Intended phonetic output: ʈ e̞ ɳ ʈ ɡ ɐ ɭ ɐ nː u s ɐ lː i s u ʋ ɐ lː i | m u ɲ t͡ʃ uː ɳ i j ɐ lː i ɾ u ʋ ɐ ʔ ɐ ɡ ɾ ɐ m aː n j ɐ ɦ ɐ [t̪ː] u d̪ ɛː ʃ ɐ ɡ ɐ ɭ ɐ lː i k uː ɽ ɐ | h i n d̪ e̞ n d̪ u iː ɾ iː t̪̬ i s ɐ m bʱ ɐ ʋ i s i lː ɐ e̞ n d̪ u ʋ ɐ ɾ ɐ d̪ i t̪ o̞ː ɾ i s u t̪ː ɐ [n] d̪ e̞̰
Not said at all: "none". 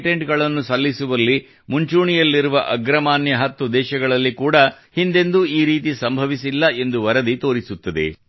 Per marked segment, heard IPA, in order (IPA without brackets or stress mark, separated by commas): t̪ː, none